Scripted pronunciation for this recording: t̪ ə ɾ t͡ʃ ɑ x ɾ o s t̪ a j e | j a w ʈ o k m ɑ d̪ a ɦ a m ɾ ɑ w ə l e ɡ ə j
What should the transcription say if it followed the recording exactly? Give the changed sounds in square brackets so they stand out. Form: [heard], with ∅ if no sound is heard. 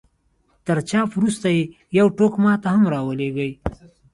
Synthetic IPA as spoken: t̪ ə ɾ t͡ʃ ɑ [f] ɾ [u] s t̪ a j e | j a w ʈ o k m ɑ [t̪] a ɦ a m ɾ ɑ w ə l e ɡ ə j